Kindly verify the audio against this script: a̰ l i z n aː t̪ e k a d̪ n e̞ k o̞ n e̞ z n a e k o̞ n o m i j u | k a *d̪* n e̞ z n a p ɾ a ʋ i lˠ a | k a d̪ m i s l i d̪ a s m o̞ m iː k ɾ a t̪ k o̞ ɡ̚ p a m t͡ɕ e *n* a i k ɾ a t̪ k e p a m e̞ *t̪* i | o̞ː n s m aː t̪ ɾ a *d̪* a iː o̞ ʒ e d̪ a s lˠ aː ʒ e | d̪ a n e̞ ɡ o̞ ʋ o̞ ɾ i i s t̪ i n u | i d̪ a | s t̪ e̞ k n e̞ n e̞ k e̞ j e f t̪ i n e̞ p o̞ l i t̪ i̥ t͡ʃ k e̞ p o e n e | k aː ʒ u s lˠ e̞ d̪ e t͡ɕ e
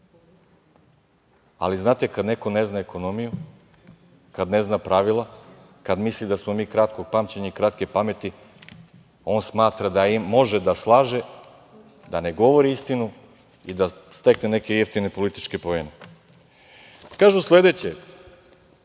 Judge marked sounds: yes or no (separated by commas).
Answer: yes, no, yes, yes